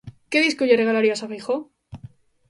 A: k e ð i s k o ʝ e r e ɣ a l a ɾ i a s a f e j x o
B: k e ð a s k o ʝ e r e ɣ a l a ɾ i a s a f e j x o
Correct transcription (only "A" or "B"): A